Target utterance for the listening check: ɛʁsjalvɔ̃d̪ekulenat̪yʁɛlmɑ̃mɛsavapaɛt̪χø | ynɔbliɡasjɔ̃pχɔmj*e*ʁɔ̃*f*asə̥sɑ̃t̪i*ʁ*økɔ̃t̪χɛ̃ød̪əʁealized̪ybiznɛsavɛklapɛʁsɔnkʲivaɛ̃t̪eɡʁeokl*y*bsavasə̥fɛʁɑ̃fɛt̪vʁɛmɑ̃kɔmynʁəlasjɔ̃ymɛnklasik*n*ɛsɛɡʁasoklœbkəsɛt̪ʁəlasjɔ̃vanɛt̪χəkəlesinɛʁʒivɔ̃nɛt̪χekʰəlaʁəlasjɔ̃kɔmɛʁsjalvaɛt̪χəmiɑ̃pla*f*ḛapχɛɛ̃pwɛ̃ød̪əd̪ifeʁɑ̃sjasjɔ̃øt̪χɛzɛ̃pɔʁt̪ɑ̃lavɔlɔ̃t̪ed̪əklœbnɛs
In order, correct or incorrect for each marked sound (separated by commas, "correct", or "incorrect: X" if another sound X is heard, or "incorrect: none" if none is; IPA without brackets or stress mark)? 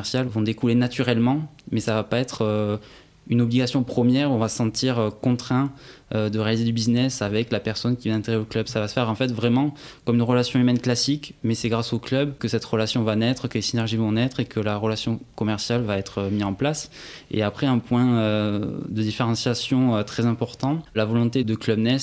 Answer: incorrect: ɛ, incorrect: v, correct, incorrect: œ, incorrect: m, incorrect: s